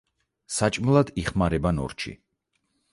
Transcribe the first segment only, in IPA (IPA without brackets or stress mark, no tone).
s